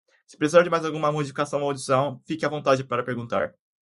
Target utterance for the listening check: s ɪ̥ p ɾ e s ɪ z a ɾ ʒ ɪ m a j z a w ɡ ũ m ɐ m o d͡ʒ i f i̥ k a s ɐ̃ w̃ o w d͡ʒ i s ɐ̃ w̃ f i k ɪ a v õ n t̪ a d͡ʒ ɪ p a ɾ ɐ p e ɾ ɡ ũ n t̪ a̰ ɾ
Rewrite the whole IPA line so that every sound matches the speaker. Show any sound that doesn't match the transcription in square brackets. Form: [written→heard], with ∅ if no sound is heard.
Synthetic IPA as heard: s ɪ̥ p ɾ e s [ɪ→i] z a ɾ [ʒ→d͡ʒ] ɪ m a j z a w ɡ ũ m ɐ m o d͡ʒ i f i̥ k a s ɐ̃ w̃ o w d͡ʒ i s ɐ̃ w̃ f i k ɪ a v õ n t̪ a d͡ʒ ɪ p a ɾ ɐ p e ɾ ɡ ũ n t̪ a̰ ɾ